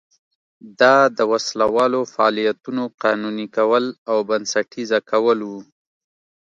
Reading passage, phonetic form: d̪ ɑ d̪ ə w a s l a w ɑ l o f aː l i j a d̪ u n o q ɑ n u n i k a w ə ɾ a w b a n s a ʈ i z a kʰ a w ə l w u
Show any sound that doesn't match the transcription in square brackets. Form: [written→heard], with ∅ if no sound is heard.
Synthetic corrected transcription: d̪ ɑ d̪ ə w a s l a w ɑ l o f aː l i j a [d̪→t̪] u n o q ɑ n u n i k a w ə [ɾ→l] a w b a n s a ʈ i z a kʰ a w ə l w u